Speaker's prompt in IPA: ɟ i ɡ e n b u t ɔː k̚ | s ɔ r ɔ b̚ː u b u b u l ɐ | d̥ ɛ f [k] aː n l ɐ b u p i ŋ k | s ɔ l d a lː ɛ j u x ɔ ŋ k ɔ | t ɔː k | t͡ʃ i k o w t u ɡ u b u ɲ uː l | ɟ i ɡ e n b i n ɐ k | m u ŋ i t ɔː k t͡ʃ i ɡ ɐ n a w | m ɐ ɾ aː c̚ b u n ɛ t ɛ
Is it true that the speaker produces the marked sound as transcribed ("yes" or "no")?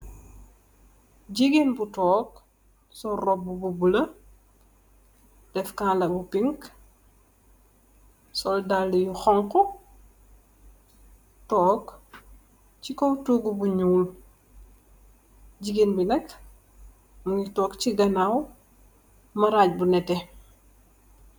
yes